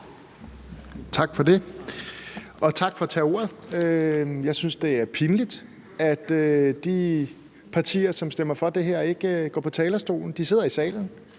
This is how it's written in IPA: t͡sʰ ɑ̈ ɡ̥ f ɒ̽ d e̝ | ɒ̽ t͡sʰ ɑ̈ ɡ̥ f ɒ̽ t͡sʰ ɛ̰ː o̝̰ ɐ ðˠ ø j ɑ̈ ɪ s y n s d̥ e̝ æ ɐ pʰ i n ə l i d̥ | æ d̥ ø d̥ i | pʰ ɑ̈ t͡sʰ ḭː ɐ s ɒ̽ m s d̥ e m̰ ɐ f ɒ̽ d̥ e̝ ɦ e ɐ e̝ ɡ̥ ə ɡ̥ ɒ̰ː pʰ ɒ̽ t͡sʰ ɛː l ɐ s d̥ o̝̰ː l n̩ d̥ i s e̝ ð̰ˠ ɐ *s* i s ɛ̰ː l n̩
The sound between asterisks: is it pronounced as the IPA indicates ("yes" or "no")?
no